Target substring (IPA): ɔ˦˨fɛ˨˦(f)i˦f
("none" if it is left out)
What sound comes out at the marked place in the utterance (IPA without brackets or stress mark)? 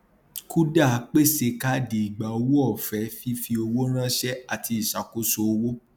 f